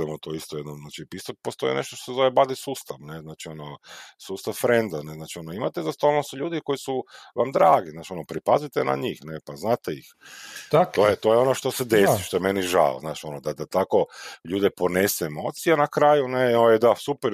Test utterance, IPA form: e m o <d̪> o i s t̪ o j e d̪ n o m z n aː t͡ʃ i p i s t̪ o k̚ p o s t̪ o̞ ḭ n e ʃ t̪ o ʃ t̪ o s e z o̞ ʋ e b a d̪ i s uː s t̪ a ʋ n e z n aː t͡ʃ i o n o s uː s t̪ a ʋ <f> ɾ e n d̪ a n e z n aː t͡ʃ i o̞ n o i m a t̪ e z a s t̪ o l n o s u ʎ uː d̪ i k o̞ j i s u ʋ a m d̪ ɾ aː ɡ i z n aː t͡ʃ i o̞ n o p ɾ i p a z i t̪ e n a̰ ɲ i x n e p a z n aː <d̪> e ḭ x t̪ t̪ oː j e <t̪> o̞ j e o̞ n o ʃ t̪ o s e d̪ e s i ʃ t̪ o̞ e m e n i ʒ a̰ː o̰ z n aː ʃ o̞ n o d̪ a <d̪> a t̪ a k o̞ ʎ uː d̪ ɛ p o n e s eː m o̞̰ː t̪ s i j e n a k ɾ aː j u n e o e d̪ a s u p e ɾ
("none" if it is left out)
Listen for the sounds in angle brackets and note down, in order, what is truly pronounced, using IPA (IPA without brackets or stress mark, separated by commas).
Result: t̪, f, t̪, t̪, d̪